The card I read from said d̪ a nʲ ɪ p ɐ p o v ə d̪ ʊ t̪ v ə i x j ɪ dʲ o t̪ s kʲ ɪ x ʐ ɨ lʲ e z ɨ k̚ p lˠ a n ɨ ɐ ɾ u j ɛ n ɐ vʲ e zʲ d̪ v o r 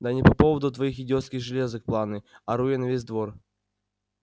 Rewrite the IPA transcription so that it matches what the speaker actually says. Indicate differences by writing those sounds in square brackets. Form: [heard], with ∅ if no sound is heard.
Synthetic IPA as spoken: d̪ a nʲ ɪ p ɐ p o v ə d̪ ʊ t̪ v [ɐ] i x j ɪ dʲ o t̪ s kʲ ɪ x ʐ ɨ lʲ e z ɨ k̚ p lˠ a n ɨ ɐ ɾ u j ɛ n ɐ vʲ e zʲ d̪ v o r